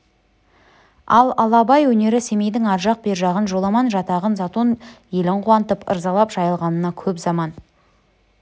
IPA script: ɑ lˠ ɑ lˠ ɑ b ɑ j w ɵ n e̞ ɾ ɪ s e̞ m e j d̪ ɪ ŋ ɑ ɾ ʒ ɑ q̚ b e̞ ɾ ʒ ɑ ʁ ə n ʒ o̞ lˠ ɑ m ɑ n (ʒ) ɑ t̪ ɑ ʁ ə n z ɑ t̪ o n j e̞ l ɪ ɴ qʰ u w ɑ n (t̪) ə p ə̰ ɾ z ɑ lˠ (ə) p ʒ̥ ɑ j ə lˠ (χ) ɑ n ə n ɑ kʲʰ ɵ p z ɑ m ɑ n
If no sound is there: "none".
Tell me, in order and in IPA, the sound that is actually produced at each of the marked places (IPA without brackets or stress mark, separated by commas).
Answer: ʒ, t̪, ɑ, ʁ